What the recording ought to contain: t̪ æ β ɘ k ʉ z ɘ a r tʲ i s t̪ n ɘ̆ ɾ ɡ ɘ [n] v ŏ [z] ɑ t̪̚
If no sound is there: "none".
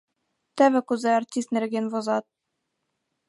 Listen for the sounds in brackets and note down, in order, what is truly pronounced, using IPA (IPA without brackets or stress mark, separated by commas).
n, z